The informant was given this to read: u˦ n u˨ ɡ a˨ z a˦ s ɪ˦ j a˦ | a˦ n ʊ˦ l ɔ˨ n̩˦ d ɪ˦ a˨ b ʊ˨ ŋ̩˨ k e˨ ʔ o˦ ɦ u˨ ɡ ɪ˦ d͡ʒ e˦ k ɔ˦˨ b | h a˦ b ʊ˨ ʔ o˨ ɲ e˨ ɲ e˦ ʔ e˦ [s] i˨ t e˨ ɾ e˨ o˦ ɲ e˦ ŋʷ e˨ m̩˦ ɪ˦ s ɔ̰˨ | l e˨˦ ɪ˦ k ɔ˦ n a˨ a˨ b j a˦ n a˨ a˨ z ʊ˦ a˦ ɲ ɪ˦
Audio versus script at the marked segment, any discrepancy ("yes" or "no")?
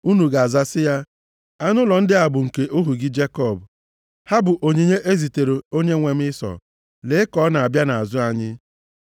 yes